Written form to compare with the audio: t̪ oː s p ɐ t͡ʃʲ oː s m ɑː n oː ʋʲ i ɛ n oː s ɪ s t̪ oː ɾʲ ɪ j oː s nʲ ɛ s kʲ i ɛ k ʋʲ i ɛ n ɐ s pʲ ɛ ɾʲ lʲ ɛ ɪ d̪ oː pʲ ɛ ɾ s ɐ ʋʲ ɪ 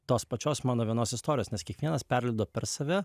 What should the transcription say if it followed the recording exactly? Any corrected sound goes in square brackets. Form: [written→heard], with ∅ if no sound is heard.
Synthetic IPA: t̪ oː s p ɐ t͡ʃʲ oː s m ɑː n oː ʋʲ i ɛ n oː s ɪ s t̪ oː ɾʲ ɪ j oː s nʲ ɛ s kʲ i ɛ k ʋʲ i ɛ n ɐ s pʲ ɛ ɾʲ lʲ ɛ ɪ d̪ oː pʲ ɛ ɾ s ɐ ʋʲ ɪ

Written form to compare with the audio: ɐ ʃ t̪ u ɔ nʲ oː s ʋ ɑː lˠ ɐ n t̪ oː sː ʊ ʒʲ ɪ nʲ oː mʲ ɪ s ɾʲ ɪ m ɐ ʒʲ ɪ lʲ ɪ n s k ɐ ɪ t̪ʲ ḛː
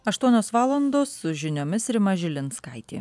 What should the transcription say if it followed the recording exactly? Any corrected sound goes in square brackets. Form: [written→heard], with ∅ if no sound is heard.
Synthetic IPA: ɐ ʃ t̪ u ɔ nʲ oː s ʋ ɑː lˠ ɐ n [t̪→d̪] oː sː ʊ ʒʲ ɪ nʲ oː mʲ ɪ s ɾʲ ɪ m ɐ ʒʲ ɪ lʲ ɪ n s k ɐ ɪ t̪ʲ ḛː

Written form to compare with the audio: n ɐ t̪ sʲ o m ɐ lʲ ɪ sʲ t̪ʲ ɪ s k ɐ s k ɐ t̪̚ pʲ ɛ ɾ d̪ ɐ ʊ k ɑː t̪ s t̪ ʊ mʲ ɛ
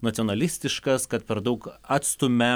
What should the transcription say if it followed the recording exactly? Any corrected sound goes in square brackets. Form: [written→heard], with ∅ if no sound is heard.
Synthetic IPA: n ɐ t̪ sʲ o [m→n] ɐ lʲ ɪ sʲ t̪ʲ ɪ [s→ʃ] k ɐ s k ɐ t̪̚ pʲ ɛ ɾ d̪ ɐ ʊ k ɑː t̪ s t̪ ʊ mʲ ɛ

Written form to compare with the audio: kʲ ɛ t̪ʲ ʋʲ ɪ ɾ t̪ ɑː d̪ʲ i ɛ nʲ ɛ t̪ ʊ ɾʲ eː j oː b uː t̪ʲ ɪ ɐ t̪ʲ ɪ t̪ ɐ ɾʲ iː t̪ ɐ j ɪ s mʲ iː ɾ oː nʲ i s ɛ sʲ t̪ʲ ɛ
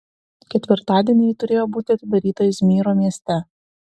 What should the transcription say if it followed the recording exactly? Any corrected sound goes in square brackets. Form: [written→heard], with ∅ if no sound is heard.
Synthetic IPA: kʲ ɛ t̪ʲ ʋʲ ɪ ɾ t̪ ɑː d̪ʲ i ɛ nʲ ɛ t̪ ʊ ɾʲ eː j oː b uː t̪ʲ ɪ ɐ t̪ʲ ɪ [t̪→d̪] ɐ ɾʲ iː t̪ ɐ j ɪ s mʲ iː ɾ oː [nʲ→mʲ] i [s→∅] ɛ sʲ t̪ʲ ɛ

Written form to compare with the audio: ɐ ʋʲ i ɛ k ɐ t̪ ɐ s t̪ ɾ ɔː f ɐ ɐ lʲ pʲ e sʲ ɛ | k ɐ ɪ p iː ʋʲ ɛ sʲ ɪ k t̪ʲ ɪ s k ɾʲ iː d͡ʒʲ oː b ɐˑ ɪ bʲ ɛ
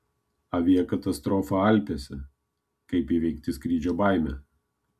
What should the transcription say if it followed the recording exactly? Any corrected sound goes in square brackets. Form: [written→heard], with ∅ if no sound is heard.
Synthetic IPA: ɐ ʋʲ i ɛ k ɐ t̪ ɐ s t̪ ɾ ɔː f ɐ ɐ lʲ pʲ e sʲ ɛ | k ɐ ɪ p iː ʋʲ ɛ [sʲ→∅] ɪ k t̪ʲ ɪ s k ɾʲ iː d͡ʒʲ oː b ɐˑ ɪ [bʲ→mʲ] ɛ

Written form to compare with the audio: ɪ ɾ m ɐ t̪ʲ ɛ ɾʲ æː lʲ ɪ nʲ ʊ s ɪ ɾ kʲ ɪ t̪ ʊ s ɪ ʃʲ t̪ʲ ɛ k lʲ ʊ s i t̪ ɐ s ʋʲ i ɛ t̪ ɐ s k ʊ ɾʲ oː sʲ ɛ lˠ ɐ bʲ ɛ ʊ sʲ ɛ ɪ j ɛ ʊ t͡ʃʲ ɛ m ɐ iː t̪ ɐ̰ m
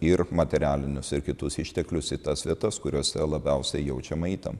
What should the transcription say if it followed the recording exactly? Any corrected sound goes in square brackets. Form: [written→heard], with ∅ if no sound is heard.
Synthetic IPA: ɪ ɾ m ɐ t̪ʲ ɛ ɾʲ æː lʲ ɪ nʲ ʊ s ɪ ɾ kʲ ɪ t̪ ʊ s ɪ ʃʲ t̪ʲ ɛ k lʲ ʊ s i t̪ ɐ s ʋʲ i ɛ t̪ ɐ s k ʊ ɾʲ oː sʲ ɛ lˠ ɐ bʲ ɛ ʊ sʲ ɛ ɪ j ɛ ʊ t͡ʃʲ ɛ m ɐ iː t̪ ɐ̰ m

